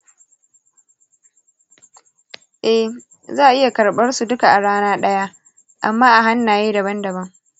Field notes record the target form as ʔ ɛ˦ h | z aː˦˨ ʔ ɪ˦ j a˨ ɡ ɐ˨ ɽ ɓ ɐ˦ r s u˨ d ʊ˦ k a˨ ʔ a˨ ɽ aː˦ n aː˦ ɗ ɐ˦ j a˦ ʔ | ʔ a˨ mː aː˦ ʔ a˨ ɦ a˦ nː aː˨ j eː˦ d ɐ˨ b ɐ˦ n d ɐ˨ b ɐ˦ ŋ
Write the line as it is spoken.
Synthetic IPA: ʔ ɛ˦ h | z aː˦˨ ʔ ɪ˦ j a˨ k ɐ˨ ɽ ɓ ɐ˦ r s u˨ d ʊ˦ k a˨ ʔ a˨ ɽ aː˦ n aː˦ ɗ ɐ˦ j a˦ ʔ | ʔ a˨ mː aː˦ ʔ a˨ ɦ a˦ nː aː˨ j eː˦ d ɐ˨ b ɐ˦ n d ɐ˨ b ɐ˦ ŋ